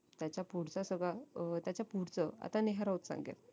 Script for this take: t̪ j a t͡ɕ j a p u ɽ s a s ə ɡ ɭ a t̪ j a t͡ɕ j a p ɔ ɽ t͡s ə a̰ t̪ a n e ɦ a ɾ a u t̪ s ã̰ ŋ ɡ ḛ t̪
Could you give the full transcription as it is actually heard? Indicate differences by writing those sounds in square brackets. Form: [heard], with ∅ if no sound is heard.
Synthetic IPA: t̪ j a t͡ɕ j a p u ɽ [t͡s] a s ə ɡ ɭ a t̪ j a t͡ɕ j a p [u] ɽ t͡s ə a̰ t̪ a n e ɦ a ɾ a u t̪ s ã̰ ŋ ɡ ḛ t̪